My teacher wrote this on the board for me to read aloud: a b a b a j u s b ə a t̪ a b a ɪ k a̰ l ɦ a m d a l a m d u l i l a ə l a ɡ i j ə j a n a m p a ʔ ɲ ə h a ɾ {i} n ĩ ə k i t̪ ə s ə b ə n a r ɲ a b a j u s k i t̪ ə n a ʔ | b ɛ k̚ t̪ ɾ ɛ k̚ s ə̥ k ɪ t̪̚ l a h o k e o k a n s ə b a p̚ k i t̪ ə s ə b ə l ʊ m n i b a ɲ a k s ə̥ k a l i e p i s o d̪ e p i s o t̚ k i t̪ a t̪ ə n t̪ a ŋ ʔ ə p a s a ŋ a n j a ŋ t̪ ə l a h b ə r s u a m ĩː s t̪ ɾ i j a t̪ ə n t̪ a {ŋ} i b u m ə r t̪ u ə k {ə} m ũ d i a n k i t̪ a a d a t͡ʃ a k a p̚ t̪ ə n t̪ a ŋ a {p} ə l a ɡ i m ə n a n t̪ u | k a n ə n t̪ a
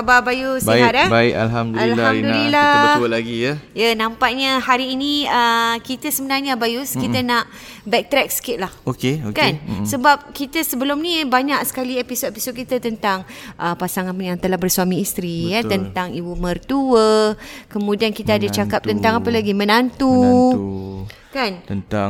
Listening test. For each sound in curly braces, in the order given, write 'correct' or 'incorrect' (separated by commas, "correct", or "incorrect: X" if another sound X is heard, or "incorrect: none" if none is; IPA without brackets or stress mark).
incorrect: iː, correct, correct, correct